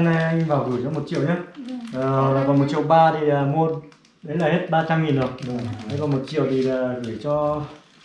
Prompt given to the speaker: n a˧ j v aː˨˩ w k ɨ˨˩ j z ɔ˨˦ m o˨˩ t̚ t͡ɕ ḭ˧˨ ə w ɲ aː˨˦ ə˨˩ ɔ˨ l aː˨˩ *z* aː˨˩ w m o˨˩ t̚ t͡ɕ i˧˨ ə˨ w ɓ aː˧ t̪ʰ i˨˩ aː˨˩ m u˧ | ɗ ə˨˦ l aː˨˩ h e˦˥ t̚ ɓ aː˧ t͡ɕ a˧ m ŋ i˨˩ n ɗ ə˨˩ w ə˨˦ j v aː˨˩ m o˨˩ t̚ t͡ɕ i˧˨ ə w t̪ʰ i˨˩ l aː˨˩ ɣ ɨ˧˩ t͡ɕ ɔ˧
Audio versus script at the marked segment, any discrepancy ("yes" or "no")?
yes